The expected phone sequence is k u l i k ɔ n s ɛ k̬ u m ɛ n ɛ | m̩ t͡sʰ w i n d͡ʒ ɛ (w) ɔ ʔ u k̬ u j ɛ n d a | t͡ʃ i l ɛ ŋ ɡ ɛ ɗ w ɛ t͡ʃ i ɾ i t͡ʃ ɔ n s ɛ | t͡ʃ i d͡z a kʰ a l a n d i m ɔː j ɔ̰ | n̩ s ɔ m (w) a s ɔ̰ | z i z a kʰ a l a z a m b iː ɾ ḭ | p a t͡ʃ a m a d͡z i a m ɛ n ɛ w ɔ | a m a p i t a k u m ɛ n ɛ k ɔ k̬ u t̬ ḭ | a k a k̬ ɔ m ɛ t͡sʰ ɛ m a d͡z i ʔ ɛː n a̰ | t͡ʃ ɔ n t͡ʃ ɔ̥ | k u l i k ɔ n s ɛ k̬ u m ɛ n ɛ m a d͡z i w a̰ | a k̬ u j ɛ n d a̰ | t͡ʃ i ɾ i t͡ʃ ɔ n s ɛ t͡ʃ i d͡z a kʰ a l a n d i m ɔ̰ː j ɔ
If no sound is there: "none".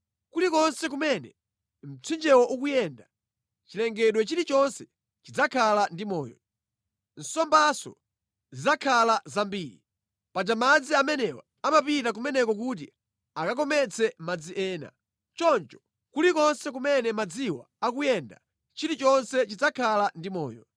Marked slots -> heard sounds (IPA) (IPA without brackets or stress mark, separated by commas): w, b